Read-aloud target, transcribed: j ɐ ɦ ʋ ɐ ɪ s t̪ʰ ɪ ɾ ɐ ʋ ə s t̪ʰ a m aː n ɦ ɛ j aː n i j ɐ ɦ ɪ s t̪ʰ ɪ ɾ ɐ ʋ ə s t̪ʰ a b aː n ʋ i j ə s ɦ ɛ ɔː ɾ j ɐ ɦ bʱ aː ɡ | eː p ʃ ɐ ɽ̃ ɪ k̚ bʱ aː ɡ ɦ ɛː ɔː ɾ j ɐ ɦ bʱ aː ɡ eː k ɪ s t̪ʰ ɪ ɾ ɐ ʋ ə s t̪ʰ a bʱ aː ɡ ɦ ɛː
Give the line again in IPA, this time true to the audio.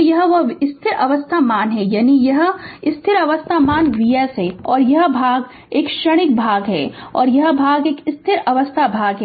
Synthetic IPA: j ɐ ɦ ʋ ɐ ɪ s t̪ʰ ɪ ɾ ɐ ʋ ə s t̪ʰ a m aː n ɦ ɛ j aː n i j ɐ ɦ ɪ s t̪ʰ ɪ ɾ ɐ ʋ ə s t̪ʰ a m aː n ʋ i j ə s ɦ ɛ ɔː ɾ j ɐ ɦ bʱ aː ɡ | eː k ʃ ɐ ɽ̃ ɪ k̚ bʱ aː ɡ ɦ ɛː ɔː ɾ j ɐ ɦ bʱ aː ɡ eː k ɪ s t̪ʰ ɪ ɾ ɐ ʋ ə s t̪ʰ a bʱ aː ɡ ɦ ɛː